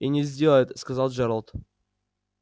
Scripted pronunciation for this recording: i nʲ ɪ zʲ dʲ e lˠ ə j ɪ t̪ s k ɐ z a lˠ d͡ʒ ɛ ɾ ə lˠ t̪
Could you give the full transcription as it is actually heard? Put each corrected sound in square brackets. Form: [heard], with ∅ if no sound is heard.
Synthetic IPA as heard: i nʲ ɪ zʲ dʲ e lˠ ə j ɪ t̪ s k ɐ z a lˠ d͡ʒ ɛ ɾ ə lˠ t̪